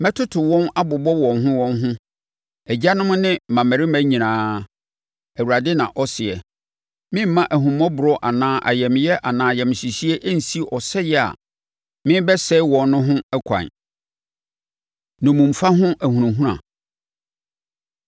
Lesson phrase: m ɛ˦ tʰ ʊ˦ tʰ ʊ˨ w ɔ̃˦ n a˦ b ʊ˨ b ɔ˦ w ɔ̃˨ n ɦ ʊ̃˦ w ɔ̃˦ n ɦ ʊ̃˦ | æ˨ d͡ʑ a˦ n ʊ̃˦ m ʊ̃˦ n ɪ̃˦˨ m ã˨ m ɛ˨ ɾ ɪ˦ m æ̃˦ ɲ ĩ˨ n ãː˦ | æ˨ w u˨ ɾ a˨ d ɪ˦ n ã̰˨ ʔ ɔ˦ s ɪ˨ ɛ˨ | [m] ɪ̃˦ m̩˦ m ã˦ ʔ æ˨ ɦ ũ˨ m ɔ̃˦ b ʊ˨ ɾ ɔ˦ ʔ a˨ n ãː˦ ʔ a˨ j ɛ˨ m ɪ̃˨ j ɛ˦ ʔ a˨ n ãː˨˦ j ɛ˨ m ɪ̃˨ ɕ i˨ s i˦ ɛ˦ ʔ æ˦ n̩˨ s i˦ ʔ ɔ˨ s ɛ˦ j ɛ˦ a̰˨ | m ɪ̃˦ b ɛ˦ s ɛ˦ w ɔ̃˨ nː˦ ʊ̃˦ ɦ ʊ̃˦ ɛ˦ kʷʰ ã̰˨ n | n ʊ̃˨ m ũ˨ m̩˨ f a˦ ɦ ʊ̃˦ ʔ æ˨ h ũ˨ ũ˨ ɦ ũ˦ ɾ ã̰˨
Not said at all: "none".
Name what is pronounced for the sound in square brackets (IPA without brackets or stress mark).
m